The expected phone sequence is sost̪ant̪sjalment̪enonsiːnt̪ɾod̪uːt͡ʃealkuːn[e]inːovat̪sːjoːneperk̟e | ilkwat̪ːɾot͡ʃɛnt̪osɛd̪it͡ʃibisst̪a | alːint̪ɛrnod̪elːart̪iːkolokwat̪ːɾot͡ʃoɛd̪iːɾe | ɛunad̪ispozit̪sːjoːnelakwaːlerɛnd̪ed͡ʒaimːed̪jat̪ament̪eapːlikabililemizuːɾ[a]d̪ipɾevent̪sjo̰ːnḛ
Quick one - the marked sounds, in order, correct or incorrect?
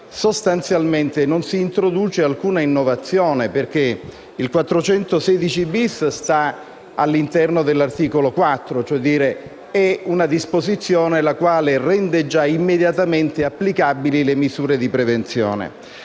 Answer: incorrect, incorrect

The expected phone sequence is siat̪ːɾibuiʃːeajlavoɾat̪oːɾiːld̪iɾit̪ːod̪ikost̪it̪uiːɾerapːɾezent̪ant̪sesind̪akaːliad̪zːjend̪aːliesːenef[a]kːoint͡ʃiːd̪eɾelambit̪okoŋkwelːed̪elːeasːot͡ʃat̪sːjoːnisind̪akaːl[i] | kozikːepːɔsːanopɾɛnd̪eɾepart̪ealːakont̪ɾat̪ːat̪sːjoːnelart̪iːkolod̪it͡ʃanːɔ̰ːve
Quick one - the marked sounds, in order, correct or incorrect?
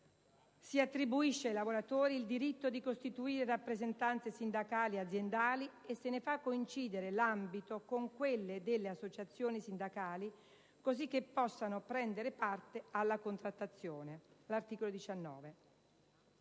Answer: correct, correct

